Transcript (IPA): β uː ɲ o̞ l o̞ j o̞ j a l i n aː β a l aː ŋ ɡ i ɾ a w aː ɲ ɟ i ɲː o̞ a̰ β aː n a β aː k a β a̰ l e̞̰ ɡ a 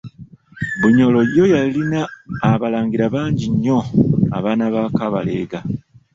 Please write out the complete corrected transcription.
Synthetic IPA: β u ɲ o̞ l o̞ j o̞ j a l i n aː β a l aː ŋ ɡ i ɾ a β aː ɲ ɟ i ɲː o̞ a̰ β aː n a β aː k a β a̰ l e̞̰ ɡ a